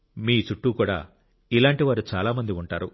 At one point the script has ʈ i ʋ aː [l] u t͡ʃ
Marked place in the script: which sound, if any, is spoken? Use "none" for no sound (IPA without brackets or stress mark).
ɾ